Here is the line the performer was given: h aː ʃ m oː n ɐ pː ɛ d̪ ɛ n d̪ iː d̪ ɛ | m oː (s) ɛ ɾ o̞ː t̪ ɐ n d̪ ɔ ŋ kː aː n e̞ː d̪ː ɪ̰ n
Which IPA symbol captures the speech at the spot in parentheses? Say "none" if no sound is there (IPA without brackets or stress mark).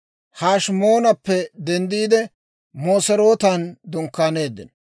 s